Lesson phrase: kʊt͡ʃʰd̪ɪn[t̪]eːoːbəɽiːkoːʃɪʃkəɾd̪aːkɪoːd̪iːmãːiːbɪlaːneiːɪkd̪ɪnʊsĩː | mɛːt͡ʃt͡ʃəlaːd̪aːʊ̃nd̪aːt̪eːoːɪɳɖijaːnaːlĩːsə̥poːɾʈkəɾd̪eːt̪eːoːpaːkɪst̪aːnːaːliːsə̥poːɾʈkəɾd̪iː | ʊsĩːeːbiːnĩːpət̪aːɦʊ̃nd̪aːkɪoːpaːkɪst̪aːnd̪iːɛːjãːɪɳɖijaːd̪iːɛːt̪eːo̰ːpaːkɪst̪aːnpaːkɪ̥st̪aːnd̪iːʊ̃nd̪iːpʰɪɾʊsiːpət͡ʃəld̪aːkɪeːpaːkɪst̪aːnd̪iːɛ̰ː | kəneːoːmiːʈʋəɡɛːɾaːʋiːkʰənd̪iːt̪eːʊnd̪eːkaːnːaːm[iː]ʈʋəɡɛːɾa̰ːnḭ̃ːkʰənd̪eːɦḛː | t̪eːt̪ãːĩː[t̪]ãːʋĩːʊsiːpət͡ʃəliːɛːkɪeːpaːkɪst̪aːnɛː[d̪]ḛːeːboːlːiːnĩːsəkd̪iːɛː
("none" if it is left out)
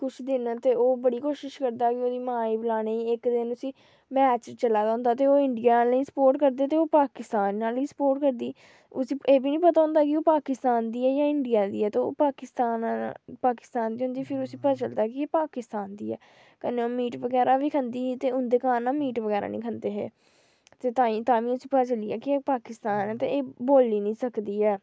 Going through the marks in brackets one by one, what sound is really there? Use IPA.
t̪, iː, t̪, t̪

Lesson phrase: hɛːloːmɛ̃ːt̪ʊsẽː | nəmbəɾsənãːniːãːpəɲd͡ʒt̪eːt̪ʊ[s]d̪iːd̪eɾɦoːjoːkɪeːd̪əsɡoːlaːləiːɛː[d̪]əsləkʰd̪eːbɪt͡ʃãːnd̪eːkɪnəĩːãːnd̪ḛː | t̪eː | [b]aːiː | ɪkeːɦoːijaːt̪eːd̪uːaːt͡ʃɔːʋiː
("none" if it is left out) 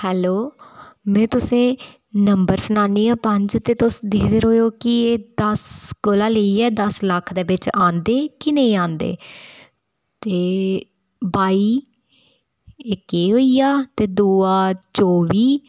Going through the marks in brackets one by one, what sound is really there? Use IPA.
s, d̪, b

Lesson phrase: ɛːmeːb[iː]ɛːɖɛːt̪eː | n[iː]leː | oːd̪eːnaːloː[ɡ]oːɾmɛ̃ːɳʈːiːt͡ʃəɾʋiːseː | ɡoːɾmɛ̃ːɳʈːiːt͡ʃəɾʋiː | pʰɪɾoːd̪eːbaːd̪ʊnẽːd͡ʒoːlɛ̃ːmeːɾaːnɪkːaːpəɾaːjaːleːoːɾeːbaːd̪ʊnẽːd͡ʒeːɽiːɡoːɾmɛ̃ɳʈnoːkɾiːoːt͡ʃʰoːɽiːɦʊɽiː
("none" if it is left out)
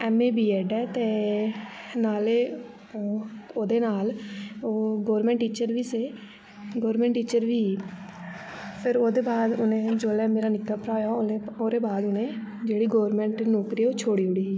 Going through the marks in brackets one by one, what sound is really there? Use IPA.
iː, aː, ɡ

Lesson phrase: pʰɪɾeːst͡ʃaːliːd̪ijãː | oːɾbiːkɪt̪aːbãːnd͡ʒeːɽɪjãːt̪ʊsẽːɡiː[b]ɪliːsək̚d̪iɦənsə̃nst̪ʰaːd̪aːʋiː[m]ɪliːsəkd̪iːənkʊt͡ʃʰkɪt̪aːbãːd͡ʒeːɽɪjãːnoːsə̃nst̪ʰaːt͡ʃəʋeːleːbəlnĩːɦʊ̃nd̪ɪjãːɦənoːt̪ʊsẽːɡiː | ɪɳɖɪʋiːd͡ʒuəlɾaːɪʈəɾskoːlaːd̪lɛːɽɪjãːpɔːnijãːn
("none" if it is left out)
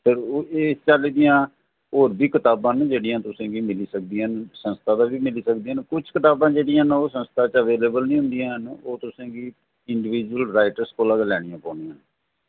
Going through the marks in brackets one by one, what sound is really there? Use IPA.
m, m

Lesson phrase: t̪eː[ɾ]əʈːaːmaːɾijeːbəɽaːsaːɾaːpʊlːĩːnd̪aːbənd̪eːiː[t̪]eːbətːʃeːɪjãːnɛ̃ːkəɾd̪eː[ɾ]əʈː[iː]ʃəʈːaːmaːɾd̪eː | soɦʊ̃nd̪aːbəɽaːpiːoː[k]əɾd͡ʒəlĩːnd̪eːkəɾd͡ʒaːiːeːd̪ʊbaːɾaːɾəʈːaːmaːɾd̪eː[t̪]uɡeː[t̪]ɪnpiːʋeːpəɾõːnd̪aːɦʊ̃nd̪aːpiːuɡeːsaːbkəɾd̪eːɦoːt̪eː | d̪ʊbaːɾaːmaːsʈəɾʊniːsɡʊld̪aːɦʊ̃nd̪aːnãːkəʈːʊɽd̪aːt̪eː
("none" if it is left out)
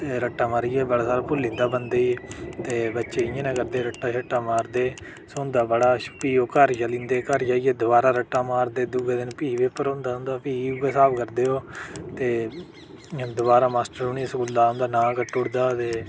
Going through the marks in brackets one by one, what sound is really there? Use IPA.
ɾ, t̪, ɾ, aː, k, d̪, d̪

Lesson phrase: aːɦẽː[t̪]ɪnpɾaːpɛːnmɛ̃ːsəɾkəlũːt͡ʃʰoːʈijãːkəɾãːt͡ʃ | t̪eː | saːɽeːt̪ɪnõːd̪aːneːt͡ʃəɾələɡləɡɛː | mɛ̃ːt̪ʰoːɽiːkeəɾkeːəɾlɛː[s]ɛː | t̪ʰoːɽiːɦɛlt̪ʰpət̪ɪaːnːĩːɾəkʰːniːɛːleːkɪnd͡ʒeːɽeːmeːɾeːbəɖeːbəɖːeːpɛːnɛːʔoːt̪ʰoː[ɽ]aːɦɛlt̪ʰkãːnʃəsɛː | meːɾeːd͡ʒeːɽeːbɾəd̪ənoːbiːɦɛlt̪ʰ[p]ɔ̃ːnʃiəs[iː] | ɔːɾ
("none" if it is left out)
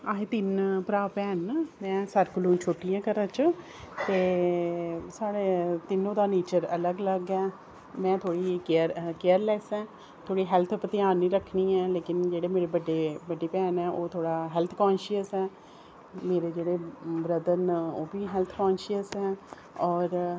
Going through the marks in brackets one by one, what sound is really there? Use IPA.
t̪, s, ɽ, k, ɛː

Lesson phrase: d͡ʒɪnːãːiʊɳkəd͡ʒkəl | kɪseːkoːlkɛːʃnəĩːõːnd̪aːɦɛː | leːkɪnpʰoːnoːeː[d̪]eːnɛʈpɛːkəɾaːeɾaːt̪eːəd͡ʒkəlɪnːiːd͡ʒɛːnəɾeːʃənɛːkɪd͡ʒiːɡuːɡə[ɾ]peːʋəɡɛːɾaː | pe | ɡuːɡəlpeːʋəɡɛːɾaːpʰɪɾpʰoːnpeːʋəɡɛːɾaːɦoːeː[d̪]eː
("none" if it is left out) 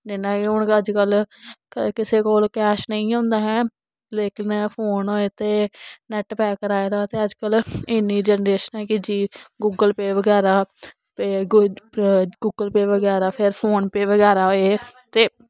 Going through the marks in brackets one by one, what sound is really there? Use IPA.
t̪, l, t̪

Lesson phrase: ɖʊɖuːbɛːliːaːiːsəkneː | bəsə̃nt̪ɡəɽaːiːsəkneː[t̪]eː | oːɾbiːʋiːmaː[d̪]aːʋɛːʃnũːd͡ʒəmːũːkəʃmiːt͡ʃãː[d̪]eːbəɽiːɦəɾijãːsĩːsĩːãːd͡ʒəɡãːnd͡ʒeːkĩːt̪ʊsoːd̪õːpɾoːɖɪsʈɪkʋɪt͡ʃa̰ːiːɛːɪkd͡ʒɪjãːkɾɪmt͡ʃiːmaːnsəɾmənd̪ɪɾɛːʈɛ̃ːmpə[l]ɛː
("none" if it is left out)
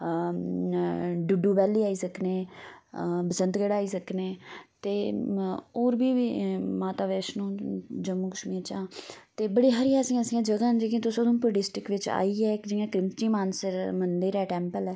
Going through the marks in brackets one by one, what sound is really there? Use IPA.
t̪, t̪, t̪, l

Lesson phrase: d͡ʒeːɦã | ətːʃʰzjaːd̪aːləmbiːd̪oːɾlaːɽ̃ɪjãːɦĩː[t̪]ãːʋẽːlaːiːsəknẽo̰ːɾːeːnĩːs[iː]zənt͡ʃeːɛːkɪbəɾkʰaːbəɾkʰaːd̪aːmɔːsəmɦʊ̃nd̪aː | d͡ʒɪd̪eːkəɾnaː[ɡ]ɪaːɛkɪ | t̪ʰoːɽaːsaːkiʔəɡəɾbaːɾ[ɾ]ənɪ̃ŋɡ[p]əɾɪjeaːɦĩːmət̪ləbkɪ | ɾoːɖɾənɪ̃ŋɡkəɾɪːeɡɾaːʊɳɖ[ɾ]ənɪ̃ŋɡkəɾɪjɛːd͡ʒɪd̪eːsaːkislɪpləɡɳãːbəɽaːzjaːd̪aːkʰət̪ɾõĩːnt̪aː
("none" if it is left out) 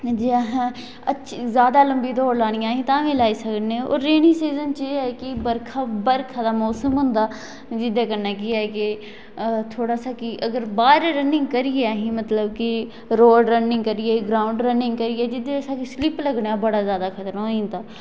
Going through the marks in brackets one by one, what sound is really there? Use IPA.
t̪, iː, k, ɾ, k, ɾ

